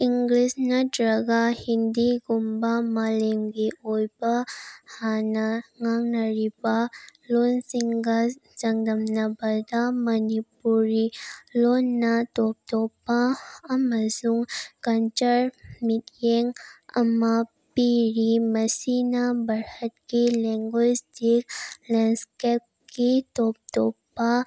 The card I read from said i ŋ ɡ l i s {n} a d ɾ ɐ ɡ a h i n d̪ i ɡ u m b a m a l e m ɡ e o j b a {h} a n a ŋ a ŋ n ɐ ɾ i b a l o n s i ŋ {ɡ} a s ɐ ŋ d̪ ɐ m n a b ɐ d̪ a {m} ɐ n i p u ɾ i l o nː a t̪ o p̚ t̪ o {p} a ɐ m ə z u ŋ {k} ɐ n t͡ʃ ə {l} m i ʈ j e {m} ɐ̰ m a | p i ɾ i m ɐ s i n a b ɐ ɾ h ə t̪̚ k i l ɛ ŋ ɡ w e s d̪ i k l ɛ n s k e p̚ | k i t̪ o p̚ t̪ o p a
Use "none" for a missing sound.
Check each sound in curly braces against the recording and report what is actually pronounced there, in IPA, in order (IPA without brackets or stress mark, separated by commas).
n, h, ɡ, m, p, k, ɾ, ŋ